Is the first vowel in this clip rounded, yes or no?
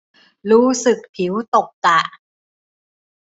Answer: yes